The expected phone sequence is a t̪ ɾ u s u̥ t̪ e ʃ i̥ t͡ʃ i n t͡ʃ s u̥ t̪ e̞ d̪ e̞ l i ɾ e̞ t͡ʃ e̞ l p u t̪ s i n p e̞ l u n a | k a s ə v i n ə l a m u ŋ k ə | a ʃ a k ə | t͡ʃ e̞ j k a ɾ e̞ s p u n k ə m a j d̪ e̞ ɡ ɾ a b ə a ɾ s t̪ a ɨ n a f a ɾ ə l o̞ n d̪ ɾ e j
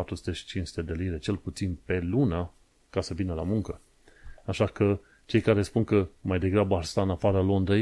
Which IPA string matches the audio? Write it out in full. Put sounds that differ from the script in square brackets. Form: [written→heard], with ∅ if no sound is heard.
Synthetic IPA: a t̪ ɾ u s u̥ t̪ e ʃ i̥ t͡ʃ i n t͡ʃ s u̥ t̪ e̞ d̪ e̞ l i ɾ e̞ t͡ʃ e̞ l p u t̪ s i n p e̞ l u n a | k a s ə v i n ə l a m u ŋ k ə | a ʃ a k ə | t͡ʃ e̞ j k a ɾ e̞ s p u n k ə m a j d̪ e̞ ɡ ɾ a b ə a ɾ s t̪ a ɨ n a f a ɾ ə l o̞ n d̪ ɾ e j